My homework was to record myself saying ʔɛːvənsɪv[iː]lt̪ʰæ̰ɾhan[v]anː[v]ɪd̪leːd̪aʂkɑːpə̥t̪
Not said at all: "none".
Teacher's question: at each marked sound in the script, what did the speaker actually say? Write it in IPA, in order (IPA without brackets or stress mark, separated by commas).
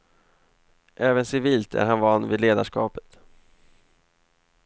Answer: iː, v, v